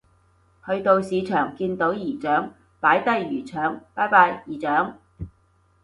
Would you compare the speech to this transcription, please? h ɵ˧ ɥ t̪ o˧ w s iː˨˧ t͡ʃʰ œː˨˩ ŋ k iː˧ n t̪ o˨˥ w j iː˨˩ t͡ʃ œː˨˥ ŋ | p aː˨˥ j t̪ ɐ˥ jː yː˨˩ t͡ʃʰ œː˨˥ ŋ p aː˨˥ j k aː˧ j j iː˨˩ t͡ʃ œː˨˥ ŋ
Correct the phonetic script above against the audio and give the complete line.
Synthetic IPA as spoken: h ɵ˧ ɥ t̪ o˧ w s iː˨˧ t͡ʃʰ œː˨˩ ŋ k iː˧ n t̪ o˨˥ w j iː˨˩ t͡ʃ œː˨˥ ŋ | p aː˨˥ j t̪ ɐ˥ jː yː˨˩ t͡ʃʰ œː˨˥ ŋ p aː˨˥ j p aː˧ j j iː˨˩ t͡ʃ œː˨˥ ŋ